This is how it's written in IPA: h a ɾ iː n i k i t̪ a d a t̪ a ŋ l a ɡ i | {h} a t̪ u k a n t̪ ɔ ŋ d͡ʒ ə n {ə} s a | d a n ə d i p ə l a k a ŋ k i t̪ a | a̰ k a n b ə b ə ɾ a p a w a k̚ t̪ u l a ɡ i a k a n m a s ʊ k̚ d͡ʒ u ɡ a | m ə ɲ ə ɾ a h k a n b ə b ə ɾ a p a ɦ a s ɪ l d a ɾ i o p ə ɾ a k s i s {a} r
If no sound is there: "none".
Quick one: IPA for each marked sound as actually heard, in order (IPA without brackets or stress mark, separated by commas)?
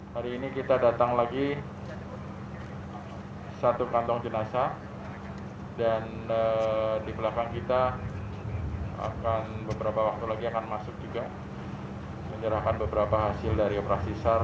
s, a, a